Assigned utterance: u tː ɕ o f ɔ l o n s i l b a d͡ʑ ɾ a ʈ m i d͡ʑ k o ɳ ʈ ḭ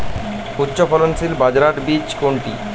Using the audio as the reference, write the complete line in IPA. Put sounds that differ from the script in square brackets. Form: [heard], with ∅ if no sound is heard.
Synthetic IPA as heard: u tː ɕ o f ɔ l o n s i l b a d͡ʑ ɾ a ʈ [b] i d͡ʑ k o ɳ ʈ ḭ